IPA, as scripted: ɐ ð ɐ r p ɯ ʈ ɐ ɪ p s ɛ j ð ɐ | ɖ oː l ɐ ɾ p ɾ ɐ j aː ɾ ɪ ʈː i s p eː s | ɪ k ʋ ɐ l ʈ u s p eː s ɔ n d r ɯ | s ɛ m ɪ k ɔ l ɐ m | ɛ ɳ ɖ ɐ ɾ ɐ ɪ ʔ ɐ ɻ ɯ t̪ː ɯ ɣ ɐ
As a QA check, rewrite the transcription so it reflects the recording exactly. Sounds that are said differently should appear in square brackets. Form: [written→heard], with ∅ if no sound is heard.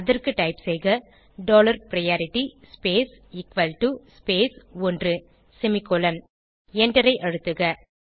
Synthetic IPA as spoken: ɐ ð ɐ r [p→k] ɯ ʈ ɐ ɪ p s ɛ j [ð→ɣ] ɐ | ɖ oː l ɐ ɾ p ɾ ɐ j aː ɾ ɪ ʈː i s p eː s | ɪ k ʋ ɐ l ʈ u s p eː s ɔ n d r ɯ | s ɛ m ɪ k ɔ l ɐ [m→n] | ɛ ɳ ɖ ɐ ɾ ɐ ɪ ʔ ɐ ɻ ɯ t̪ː ɯ ɣ ɐ

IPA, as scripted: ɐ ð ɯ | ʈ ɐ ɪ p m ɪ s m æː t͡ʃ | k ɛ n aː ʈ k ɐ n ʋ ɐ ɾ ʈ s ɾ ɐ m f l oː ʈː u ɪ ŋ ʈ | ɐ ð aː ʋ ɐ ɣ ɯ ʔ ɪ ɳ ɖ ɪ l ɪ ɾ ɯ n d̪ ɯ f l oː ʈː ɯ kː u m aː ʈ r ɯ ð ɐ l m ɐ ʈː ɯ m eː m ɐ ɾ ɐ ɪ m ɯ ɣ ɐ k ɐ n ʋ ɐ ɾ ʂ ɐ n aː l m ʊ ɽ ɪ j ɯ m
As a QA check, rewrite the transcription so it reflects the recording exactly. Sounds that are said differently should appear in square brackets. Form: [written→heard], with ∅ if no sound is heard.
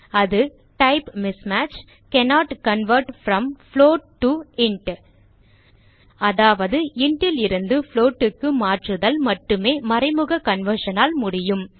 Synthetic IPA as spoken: ɐ ð ɯ | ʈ ɐ ɪ p m ɪ s m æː t͡ʃ | k ɛ n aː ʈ k ɐ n ʋ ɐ ɾ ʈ [s→f] ɾ ɐ m f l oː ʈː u ɪ [ŋ→ɳ] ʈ | ɐ ð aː ʋ ɐ [ɣ→ð] ɯ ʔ ɪ ɳ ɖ ɪ l ɪ ɾ ɯ n d̪ ɯ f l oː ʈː ɯ kː [u→ɯ] m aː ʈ r ɯ ð ɐ l m ɐ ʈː ɯ m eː m ɐ ɾ ɐ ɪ m ɯ ɣ ɐ k ɐ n ʋ ɐ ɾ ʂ ɐ n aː l m ʊ ɽ ɪ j ɯ m

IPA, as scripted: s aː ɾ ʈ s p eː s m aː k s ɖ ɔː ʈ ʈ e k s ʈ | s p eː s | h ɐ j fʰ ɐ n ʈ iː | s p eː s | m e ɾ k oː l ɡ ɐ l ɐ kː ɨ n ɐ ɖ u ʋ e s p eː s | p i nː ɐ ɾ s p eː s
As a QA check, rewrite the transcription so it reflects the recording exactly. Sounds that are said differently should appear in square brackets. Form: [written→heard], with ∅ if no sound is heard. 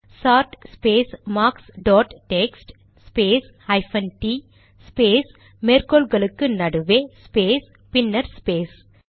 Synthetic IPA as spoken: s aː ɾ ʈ s p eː s m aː k s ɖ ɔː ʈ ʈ e k s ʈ | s p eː s | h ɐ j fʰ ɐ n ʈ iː | s p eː s | m e ɾ k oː l ɡ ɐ l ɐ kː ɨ n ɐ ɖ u ʋ e s p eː s | p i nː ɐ ɾ s p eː s

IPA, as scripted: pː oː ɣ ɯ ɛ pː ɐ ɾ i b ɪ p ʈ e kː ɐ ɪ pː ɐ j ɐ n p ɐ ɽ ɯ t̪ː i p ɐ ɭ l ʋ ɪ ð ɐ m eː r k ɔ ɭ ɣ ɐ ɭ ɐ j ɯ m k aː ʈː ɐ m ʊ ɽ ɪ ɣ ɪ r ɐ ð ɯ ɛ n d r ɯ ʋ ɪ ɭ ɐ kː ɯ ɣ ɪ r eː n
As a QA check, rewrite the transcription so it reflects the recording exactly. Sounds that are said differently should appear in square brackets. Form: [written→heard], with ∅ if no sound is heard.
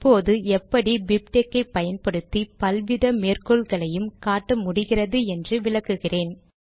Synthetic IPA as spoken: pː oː [ɣ→ð] ɯ ɛ pː ɐ [ɾ→ɽ] i b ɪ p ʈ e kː ɐ ɪ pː ɐ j ɐ n p ɐ ɽ ɯ t̪ː i p ɐ [ɭ→∅] l ʋ ɪ ð ɐ m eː r k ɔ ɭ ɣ ɐ ɭ ɐ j ɯ m k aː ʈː ɐ m ʊ ɽ ɪ ɣ ɪ r ɐ ð ɯ ɛ n d r ɯ ʋ ɪ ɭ ɐ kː ɯ ɣ ɪ r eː n

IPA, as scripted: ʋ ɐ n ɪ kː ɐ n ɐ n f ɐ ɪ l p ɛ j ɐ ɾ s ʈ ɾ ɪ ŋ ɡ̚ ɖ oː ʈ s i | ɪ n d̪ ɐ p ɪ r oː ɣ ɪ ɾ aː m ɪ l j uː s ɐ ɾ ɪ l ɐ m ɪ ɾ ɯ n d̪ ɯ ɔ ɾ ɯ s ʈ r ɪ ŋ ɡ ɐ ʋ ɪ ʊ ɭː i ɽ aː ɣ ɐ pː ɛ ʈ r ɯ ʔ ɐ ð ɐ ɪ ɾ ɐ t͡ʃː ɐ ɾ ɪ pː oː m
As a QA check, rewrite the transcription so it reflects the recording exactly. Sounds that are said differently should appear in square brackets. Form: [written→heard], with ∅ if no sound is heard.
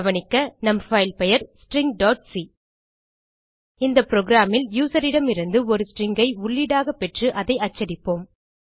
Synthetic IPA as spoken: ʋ ɐ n ɪ kː ɐ n ɐ [n→m] f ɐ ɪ l p ɛ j ɐ ɾ s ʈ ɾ ɪ ŋ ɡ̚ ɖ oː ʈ s i | ɪ n d̪ ɐ p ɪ [r→ɾ] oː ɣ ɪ ɾ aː m ɪ l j uː s ɐ ɾ ɪ [l→ɽ] ɐ m ɪ ɾ ɯ n d̪ ɯ ɔ ɾ ɯ s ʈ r ɪ ŋ ɡ ɐ [ʋ→∅] ɪ ʊ ɭː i ɽ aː ɣ ɐ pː ɛ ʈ r ɯ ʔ ɐ ð ɐ ɪ [ɾ→∅] ɐ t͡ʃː ɐ ɾ ɪ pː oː m

